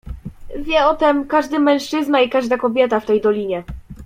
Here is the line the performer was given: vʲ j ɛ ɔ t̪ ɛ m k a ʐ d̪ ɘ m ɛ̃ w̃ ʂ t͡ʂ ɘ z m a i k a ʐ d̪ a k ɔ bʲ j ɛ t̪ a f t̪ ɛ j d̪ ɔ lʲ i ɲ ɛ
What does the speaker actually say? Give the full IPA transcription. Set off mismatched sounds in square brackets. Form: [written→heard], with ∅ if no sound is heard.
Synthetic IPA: vʲ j ɛ ɔ t̪ ɛ m k a ʐ d̪ ɘ m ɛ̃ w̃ ʂ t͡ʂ ɘ z [m→n] a i k a ʐ d̪ a k ɔ bʲ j ɛ t̪ a f t̪ ɛ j d̪ ɔ lʲ i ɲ ɛ